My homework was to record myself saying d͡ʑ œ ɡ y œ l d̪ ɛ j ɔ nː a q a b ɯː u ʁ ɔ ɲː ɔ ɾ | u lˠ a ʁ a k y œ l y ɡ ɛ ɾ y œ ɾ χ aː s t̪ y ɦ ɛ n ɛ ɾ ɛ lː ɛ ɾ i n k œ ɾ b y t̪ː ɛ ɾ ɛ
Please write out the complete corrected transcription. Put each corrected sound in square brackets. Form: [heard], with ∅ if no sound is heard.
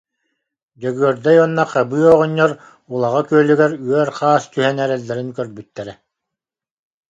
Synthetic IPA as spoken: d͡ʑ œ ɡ y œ [ɾ] d̪ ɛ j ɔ nː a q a b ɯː [ɔ] ʁ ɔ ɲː ɔ ɾ | u lˠ a ʁ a k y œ l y ɡ ɛ ɾ y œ ɾ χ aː s t̪ y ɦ ɛ n ɛ ɾ ɛ lː ɛ ɾ i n k œ ɾ b y t̪ː ɛ ɾ ɛ